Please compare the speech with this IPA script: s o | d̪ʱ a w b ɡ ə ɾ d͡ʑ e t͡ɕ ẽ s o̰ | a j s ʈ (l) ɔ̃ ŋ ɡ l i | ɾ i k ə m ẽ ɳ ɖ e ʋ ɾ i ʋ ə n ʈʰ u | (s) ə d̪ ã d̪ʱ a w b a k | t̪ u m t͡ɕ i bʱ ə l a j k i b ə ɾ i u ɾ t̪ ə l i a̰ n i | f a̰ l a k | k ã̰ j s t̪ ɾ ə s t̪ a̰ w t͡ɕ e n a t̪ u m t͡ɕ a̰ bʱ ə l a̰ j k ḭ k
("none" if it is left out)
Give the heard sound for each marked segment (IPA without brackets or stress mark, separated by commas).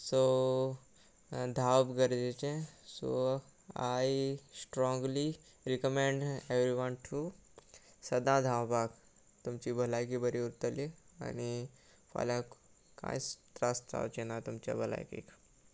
ɾ, s